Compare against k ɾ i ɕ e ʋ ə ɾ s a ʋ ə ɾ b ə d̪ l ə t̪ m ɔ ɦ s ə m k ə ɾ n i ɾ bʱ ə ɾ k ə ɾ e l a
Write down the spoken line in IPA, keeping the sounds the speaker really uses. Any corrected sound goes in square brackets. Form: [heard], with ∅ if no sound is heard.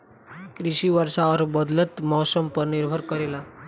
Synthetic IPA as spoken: k ɾ i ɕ [i] ʋ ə ɾ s a ʋ ə ɾ b ə d̪ l ə t̪ m ɔ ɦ s ə m [p] ə ɾ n i ɾ bʱ ə ɾ k ə ɾ e l a